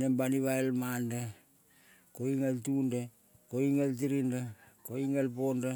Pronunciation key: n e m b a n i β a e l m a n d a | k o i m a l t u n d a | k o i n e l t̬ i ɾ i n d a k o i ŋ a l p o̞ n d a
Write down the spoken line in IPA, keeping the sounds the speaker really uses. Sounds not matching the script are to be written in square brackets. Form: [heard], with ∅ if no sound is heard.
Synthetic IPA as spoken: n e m b a n i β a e l m a n d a | k o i [ŋ] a l t u n d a | k o i [ŋ] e l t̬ i ɾ i n d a k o i ŋ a l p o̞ n d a

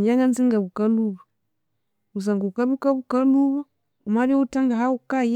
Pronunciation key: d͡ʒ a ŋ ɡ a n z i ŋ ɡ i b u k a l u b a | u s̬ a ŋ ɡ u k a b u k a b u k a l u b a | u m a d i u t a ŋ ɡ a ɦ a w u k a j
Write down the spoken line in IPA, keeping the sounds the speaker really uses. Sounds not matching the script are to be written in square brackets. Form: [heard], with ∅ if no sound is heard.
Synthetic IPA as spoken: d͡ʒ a ŋ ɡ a n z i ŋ ɡ [a] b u k a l u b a | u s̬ a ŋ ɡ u k a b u k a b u k a l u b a | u m a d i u t a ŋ ɡ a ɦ a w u k a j

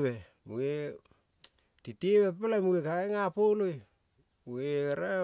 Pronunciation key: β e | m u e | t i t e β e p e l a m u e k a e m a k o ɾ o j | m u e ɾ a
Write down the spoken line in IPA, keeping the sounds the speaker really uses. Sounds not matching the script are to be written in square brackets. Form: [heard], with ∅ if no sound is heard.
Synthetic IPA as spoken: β e | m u e | t i t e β e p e l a m u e k a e [ŋ] a [p] o [l] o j | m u e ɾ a

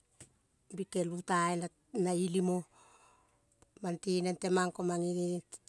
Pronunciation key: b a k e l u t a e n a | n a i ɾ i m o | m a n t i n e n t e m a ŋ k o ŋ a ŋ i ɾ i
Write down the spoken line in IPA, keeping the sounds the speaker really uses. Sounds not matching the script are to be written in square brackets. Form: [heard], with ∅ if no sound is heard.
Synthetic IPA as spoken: b [i] k e l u t a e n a | n a i [l] i m o | m a n t i n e n t e m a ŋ k o [m] a ŋ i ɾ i

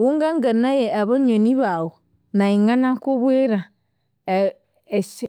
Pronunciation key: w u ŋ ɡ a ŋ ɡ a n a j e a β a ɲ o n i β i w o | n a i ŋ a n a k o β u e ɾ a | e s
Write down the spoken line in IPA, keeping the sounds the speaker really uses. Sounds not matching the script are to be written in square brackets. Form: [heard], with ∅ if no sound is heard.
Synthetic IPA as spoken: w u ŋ ɡ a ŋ ɡ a n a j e a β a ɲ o n i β [a] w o | n a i ŋ a n a k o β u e ɾ a | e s

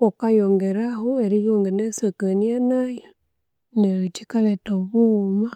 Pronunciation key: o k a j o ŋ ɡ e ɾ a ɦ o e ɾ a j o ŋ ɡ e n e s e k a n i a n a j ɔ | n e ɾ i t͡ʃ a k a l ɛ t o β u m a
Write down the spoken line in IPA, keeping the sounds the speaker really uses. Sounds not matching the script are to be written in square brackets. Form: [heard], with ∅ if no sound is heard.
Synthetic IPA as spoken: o k a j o ŋ ɡ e ɾ a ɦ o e ɾ [i] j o ŋ ɡ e n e s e k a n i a n a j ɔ | n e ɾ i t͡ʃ [i] k a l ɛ t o β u m a

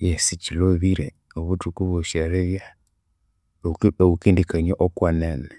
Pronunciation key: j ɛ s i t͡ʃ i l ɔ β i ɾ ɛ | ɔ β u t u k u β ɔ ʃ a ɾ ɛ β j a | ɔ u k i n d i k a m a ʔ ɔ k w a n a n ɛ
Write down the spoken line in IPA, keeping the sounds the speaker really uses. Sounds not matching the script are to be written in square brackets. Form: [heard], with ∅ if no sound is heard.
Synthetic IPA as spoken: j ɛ s i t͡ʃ i l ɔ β i ɾ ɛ | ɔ β u t u k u β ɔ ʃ a ɾ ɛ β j a | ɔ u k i n d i k a [ɲ] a ʔ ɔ k w a n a n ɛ

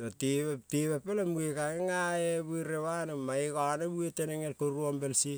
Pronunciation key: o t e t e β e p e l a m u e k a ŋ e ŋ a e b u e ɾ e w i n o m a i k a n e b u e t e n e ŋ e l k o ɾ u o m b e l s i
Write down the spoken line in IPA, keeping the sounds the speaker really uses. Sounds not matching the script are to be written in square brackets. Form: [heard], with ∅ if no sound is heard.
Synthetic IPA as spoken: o t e t e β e p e l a m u e k a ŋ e ŋ a e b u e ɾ e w [a] n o m a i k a n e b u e t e n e ŋ e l k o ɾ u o m b e l s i

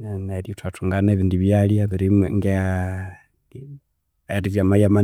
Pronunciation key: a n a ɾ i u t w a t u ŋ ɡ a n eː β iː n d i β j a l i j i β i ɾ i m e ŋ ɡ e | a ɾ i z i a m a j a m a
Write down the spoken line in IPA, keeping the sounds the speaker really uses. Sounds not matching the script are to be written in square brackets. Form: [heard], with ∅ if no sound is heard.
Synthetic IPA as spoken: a n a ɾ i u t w a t u ŋ ɡ a n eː β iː n d i β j a l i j [a] β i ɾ i m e ŋ ɡ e | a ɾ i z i a m a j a m a

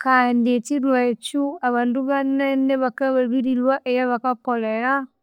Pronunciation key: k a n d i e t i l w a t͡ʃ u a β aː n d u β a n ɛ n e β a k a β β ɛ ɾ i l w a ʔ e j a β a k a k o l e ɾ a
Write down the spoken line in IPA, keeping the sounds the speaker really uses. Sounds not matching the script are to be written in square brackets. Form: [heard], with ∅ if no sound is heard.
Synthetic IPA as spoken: k a n d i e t i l w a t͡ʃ u a β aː n d u β a n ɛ n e β a k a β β [i] ɾ i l w a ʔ e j a β a k a k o l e ɾ a

